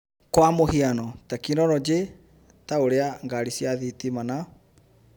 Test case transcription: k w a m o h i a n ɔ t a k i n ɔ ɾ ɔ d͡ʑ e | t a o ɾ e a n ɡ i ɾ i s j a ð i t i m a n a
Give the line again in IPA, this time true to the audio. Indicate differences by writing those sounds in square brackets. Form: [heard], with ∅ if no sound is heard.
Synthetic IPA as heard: k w a m o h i a n ɔ t a k i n ɔ ɾ ɔ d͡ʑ e | t a o ɾ e a [ŋ] ɡ [a] ɾ i s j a ð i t i m a n a